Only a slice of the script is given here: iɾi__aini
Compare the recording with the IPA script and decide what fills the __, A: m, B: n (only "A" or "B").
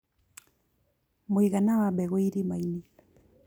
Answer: A